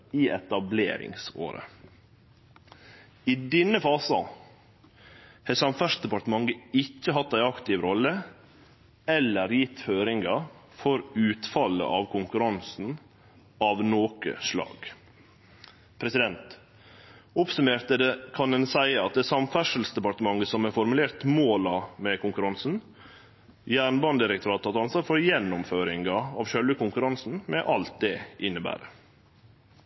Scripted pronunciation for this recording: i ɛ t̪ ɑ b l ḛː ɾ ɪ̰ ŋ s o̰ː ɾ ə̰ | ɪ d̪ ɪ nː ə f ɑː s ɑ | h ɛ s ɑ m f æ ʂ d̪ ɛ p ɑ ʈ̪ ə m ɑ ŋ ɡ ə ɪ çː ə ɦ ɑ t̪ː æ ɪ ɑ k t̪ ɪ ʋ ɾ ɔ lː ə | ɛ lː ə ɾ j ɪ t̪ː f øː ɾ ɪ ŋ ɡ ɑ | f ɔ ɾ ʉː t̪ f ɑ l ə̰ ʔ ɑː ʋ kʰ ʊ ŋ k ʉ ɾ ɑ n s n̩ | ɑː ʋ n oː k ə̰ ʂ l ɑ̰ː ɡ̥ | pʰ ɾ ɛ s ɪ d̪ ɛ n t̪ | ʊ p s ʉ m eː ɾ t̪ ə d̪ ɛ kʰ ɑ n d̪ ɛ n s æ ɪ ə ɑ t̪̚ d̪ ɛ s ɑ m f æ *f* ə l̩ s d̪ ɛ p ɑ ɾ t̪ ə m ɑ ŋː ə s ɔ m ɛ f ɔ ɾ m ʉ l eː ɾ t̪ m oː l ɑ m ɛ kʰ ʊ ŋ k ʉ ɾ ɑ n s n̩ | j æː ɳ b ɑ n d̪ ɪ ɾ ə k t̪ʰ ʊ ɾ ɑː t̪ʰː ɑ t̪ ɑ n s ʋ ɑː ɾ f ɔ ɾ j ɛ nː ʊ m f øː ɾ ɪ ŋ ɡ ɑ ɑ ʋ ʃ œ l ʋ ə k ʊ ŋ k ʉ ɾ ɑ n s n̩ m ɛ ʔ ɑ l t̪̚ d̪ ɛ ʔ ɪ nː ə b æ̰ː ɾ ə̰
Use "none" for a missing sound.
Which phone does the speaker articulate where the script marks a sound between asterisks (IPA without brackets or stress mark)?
ʂ